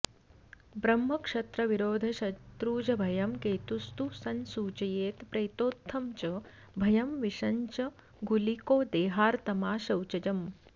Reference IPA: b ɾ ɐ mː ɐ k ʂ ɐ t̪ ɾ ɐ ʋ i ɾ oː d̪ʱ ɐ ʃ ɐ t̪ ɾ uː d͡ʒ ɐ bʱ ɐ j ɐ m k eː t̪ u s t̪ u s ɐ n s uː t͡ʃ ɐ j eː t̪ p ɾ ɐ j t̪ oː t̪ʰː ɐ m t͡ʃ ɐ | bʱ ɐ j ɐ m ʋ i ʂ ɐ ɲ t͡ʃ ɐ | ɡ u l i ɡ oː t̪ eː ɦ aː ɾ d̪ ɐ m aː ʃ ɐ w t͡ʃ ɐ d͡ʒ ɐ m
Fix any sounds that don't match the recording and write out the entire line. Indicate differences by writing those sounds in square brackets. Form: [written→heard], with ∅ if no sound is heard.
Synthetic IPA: b ɾ ɐ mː ɐ k ʂ ɐ t̪ ɾ ɐ ʋ i ɾ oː d̪ʱ ɐ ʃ ɐ t̪ ɾ uː d͡ʒ ɐ bʱ ɐ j ɐ m k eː t̪ u s t̪ u s ɐ n s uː t͡ʃ ɐ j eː t̪ p ɾ ɐ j t̪ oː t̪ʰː ɐ m t͡ʃ ɐ | bʱ ɐ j ɐ m ʋ i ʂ ɐ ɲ t͡ʃ ɐ | ɡ u l i [ɡ→k] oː [t̪→d̪] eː ɦ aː ɾ [d̪→t̪] ɐ m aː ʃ ɐ w t͡ʃ ɐ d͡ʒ ɐ m